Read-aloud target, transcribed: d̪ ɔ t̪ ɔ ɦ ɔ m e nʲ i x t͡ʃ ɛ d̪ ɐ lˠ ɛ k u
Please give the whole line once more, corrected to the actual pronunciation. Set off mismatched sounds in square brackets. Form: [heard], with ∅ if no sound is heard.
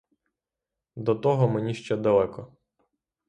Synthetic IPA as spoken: d̪ ɔ t̪ ɔ ɦ ɔ m e nʲ i [ʃ] t͡ʃ ɛ d̪ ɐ lˠ ɛ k [ɔ]

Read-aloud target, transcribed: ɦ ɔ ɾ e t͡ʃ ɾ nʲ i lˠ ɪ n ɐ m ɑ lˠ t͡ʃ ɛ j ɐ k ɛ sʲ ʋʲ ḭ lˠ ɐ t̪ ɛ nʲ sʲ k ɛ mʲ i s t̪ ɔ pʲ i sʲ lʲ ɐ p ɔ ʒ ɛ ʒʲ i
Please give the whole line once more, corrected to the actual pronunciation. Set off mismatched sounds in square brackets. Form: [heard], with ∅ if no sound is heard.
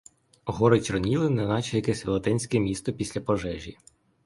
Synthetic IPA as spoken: ɦ ɔ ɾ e t͡ʃ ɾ nʲ i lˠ ɪ n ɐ [n] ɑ [∅] t͡ʃ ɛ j ɐ k ɛ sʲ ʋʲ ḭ lˠ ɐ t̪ ɛ nʲ sʲ k ɛ mʲ i s t̪ ɔ pʲ i sʲ lʲ ɐ p ɔ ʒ ɛ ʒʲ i

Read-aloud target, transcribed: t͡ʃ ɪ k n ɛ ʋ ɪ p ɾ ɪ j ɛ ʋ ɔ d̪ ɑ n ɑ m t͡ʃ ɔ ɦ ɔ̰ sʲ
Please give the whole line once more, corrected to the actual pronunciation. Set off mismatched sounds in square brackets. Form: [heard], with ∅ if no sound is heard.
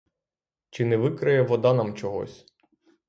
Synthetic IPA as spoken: t͡ʃ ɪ [∅] n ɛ ʋ ɪ [k] ɾ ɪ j ɛ ʋ ɔ d̪ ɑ n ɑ m t͡ʃ ɔ ɦ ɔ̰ sʲ

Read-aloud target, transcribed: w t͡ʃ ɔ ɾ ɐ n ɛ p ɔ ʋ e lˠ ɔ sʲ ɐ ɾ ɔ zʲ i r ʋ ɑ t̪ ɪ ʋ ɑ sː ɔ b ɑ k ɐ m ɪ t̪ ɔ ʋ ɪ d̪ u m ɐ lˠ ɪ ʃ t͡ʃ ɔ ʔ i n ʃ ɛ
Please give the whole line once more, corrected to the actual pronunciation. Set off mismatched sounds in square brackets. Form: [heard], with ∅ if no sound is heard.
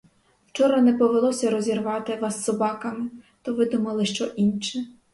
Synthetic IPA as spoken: w t͡ʃ ɔ ɾ ɐ n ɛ p ɔ ʋ e lˠ ɔ sʲ ɐ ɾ ɔ zʲ i r ʋ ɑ t̪ ɪ ʋ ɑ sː ɔ b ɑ k ɐ m ɪ t̪ ɔ ʋ ɪ d̪ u m ɐ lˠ ɪ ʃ t͡ʃ ɔ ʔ i n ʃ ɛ

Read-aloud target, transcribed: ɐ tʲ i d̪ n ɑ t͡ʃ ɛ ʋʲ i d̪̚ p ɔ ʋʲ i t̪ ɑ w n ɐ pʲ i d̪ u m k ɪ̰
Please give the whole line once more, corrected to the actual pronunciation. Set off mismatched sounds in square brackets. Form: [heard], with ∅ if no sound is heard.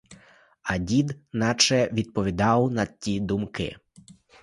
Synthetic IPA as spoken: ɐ [dʲ] i d̪ n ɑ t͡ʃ ɛ ʋʲ i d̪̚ p ɔ ʋʲ i [d̪] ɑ w n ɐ [tʲ] i d̪ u m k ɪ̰

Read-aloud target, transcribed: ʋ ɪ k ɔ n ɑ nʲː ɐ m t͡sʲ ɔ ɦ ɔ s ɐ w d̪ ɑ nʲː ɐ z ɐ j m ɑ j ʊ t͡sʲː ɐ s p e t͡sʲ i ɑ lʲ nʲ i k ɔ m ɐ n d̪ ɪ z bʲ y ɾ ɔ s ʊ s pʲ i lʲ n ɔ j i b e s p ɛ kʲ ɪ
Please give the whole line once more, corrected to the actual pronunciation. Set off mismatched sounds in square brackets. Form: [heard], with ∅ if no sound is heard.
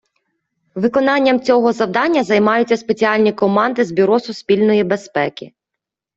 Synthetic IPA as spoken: ʋ ɪ k ɔ n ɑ nʲː ɐ m t͡sʲ ɔ ɦ ɔ [z] ɐ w d̪ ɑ nʲː ɐ z ɐ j m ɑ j ʊ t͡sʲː ɐ s p e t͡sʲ i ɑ lʲ nʲ i k ɔ m [ɑ] n d̪ ɪ z bʲ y ɾ ɔ s ʊ s pʲ i lʲ n ɔ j i b e s p ɛ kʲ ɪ

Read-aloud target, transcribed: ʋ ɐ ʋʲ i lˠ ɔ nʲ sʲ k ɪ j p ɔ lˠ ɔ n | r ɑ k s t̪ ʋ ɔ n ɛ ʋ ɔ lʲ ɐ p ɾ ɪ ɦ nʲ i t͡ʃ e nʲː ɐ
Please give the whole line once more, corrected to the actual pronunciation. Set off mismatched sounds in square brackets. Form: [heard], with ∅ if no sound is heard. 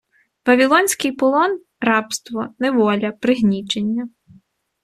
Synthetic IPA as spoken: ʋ ɐ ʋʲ i lˠ ɔ nʲ sʲ k ɪ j p ɔ lˠ ɔ n | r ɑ [p] s t̪ ʋ ɔ n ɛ ʋ ɔ lʲ ɐ p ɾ ɪ ɦ nʲ i t͡ʃ e nʲː ɐ

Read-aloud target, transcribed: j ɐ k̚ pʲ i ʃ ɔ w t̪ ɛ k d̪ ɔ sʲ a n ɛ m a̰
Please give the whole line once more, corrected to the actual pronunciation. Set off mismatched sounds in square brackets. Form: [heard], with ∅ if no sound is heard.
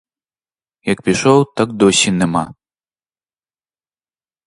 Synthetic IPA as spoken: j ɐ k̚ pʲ i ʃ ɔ w t̪ [a] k d̪ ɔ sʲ [i] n ɛ m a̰

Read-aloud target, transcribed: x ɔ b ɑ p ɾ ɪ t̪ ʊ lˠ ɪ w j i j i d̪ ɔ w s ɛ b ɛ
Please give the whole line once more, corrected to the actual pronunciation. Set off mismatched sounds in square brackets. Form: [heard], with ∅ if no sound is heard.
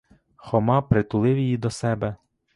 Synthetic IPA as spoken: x ɔ [m] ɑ p ɾ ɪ t̪ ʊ lˠ ɪ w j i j i d̪ ɔ [∅] s ɛ b ɛ

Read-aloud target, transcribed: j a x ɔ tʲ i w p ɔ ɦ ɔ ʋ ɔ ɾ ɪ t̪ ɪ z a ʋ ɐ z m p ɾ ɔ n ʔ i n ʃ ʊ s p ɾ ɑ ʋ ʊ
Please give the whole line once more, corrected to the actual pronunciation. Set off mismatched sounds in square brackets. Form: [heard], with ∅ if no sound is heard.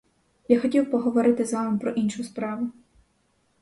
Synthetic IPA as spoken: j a x ɔ tʲ i w p ɔ ɦ ɔ ʋ ɔ ɾ ɪ t̪ ɪ z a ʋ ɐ [∅] m p ɾ ɔ [∅] ʔ i n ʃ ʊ s p ɾ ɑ ʋ ʊ

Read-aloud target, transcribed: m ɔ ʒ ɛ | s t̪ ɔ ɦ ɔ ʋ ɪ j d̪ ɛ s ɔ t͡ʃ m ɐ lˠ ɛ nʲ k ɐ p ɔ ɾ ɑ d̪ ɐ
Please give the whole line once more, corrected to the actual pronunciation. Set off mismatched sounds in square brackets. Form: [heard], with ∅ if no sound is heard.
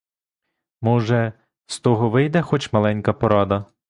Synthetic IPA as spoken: m ɔ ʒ ɛ | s t̪ ɔ ɦ ɔ ʋ ɪ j d̪ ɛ [x] ɔ t͡ʃ m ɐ lˠ ɛ nʲ k ɐ p ɔ ɾ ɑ d̪ ɐ

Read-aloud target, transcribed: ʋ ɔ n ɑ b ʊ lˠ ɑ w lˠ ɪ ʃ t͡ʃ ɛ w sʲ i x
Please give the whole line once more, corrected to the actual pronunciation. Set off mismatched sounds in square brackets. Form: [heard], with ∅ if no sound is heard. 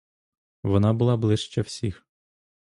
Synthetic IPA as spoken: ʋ ɔ n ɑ b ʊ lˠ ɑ [b] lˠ ɪ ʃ t͡ʃ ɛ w sʲ i x

